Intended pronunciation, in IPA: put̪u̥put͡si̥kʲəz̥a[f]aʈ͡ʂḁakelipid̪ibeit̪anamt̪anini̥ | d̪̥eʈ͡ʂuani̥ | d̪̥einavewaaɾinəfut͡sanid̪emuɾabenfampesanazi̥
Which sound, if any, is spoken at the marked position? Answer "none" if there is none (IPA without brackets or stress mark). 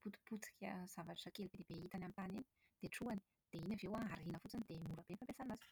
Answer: v